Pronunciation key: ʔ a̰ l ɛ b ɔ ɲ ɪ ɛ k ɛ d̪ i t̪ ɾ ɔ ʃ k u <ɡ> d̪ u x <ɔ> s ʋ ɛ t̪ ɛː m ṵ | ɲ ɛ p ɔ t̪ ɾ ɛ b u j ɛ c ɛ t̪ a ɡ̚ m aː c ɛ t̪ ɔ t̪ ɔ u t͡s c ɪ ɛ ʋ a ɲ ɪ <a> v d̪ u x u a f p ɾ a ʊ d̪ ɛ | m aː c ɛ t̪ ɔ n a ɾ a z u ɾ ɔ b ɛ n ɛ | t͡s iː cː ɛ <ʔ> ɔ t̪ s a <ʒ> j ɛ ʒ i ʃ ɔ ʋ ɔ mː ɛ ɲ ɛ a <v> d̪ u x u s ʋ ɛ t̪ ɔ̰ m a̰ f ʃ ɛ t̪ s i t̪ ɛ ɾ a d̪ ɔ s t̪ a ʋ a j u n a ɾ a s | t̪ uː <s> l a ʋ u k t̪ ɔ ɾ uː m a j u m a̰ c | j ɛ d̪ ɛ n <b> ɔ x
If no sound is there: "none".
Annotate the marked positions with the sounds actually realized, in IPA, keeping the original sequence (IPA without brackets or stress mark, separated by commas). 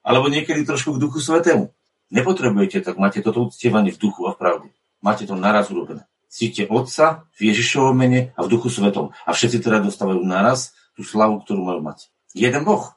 ɡ, u, ɛ, ʔ, v, v, s, b